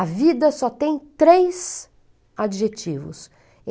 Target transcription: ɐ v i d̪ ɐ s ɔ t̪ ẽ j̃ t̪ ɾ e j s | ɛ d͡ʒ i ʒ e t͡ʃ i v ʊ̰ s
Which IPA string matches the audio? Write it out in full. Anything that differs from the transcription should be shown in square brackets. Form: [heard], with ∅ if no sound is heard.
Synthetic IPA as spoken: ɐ v i d̪ ɐ s ɔ t̪ ẽ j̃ t̪ ɾ e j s | [a] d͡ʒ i ʒ e t͡ʃ i v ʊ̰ s